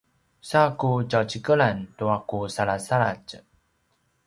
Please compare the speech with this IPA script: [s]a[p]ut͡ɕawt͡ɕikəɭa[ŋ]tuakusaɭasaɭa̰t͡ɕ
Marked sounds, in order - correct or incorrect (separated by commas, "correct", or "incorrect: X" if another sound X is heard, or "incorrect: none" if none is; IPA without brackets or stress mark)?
correct, incorrect: k, incorrect: n